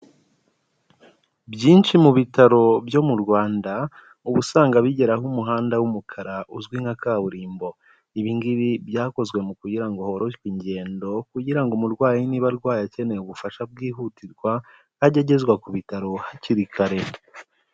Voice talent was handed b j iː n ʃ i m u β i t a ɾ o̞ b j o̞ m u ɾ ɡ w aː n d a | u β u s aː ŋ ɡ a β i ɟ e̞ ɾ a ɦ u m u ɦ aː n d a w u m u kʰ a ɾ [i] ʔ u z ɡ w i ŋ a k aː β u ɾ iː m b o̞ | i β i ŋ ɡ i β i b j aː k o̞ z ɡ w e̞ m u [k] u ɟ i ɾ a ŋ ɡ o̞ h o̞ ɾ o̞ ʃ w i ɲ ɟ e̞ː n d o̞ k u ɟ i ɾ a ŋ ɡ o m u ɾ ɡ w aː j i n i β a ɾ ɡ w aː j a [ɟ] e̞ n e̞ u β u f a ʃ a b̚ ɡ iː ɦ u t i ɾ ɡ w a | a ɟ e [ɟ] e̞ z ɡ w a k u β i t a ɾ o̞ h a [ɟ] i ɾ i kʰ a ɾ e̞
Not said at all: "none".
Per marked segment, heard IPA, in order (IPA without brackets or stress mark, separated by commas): a, k, c, ɟ, c